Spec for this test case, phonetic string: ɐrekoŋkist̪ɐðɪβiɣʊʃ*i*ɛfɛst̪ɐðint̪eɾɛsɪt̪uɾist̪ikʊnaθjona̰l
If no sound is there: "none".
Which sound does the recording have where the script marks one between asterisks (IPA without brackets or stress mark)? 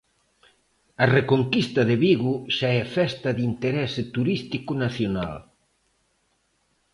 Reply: a